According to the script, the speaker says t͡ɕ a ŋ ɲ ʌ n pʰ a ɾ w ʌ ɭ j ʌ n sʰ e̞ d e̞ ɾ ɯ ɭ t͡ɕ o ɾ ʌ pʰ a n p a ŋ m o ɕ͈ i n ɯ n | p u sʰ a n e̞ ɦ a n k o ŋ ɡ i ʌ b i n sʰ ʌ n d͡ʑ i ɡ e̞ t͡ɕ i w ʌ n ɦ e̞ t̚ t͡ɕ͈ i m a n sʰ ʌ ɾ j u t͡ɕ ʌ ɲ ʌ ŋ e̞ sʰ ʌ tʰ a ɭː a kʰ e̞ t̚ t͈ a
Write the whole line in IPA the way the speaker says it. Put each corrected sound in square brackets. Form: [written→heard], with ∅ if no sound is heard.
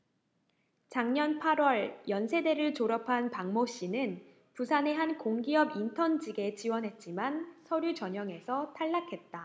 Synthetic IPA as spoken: t͡ɕ a ŋ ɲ ʌ n pʰ a ɾ w ʌ ɭ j ʌ n sʰ e̞ d e̞ ɾ ɯ ɭ t͡ɕ o ɾ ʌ pʰ a n p a ŋ m o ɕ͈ i n ɯ n | p u sʰ a n e̞ ɦ a n k o ŋ ɡ i ʌ b i n [sʰ→tʰ] ʌ n d͡ʑ i ɡ e̞ t͡ɕ i w ʌ n ɦ e̞ t̚ t͡ɕ͈ i m a n sʰ ʌ ɾ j u t͡ɕ ʌ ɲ ʌ ŋ e̞ sʰ ʌ tʰ a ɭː a kʰ e̞ t̚ t͈ a